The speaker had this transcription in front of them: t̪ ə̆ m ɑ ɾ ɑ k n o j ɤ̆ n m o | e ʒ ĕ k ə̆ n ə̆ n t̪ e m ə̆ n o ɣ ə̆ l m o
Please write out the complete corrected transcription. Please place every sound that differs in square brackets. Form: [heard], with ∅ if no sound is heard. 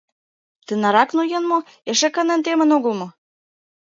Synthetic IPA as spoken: t̪ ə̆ [n] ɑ ɾ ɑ k n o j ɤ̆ n m o | e [ʃ] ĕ k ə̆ n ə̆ n t̪ e m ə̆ n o ɣ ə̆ l m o